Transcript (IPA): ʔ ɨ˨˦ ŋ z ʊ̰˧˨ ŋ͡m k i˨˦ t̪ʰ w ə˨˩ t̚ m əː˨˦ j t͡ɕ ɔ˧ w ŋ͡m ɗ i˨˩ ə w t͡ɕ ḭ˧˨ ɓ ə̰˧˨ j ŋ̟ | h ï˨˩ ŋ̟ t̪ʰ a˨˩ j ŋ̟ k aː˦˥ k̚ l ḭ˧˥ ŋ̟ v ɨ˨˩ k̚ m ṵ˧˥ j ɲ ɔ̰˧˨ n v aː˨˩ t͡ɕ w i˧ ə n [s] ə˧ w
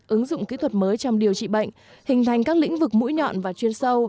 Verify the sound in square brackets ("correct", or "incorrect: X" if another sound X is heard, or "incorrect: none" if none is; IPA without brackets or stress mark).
correct